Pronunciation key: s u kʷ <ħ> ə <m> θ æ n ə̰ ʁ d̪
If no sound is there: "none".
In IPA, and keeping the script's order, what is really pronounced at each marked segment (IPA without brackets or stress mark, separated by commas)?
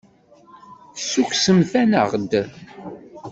s, m